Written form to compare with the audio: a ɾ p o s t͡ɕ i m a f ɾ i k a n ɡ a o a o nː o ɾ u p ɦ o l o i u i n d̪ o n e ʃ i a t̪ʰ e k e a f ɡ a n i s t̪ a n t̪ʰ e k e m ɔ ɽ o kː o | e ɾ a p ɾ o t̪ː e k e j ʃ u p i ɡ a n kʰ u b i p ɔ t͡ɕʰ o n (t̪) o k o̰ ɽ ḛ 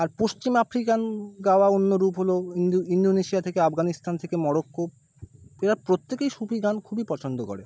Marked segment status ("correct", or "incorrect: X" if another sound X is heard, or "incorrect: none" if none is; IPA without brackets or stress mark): incorrect: d̪